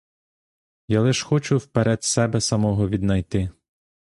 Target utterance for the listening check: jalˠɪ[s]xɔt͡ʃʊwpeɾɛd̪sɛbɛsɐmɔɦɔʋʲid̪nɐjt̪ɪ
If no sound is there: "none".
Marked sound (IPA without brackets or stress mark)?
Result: ʃ